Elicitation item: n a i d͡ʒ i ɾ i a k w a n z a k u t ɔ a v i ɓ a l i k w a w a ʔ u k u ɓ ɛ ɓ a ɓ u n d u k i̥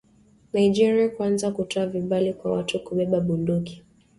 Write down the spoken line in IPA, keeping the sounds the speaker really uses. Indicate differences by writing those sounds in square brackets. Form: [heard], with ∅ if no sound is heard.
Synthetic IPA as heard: n a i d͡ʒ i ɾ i a k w a n z a k u t ɔ a v i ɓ a l i k w a w a [t] u k u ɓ ɛ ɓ a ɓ u n d u k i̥